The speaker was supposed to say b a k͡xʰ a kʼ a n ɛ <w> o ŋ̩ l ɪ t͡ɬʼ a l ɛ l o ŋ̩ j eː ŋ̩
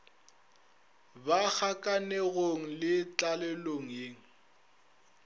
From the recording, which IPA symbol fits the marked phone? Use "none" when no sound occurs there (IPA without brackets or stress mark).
ɣ